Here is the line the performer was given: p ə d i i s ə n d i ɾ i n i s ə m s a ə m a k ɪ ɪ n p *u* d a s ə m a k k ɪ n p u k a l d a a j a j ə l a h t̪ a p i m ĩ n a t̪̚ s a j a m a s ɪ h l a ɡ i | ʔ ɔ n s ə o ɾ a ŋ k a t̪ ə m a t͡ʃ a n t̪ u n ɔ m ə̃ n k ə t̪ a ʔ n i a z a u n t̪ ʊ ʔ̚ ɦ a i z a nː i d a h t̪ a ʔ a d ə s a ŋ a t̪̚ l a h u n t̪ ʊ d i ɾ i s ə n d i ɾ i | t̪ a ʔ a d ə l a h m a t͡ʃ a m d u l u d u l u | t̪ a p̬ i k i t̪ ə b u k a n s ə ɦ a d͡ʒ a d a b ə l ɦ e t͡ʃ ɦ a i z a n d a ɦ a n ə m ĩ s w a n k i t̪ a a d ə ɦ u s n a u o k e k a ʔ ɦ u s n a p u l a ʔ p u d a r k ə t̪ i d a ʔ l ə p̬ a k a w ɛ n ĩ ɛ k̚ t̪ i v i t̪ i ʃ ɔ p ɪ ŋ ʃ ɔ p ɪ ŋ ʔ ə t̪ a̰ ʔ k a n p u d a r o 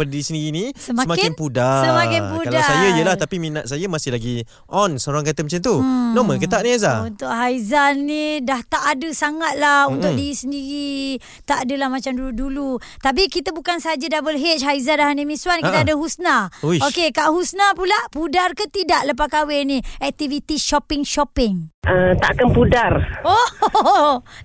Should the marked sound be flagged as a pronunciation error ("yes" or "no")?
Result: no